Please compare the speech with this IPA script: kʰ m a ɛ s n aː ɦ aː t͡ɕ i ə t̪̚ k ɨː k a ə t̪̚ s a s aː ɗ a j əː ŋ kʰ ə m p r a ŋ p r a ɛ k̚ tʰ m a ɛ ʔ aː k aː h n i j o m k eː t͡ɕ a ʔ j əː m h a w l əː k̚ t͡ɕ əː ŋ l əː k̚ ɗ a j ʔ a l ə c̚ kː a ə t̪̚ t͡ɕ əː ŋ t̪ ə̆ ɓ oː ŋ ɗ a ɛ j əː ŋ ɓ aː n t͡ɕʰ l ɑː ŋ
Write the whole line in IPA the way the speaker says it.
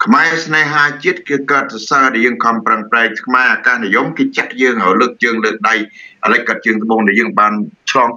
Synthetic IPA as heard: kʰ m a ɛ s n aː ɦ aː t͡ɕ i ə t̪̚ k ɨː k a ə t̪̚ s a s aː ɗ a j əː ŋ kʰ ɑ m p r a ŋ p r a ɛ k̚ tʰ m a ɛ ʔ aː k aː h n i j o m k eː t͡ɕ a ʔ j əː ŋ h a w l əː k̚ t͡ɕ əː ŋ l əː k̚ ɗ a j ʔ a l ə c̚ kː a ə t̪̚ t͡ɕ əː ŋ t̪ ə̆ ɓ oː ŋ ɗ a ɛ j əː ŋ ɓ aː n t͡ɕʰ l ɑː ŋ